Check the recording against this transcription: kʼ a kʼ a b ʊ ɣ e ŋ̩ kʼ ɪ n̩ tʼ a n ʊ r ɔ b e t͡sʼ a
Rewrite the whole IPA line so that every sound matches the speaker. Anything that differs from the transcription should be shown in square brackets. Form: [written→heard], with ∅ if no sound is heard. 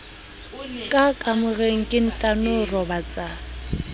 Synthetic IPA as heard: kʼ a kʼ a [b→m] ʊ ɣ e ŋ̩ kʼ ɪ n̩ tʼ a n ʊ r ɔ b [e→a] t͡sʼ a